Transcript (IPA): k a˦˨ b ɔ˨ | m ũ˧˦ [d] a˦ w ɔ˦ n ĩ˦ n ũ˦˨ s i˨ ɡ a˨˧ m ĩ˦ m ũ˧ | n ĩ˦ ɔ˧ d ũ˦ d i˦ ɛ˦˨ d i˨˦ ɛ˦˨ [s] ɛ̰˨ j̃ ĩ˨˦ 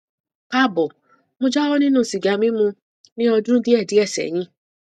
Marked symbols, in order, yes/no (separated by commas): no, yes